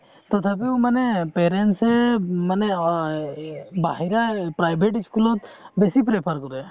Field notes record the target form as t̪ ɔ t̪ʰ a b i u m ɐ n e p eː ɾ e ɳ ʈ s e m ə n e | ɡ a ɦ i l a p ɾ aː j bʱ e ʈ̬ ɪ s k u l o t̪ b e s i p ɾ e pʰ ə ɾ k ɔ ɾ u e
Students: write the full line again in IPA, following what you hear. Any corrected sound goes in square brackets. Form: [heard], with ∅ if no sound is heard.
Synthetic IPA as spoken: t̪ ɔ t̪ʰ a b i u m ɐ n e p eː ɾ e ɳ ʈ s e m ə n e | [b] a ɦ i [ɾ] a p ɾ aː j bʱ e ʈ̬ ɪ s k u l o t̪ b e s i p ɾ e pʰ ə ɾ k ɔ ɾ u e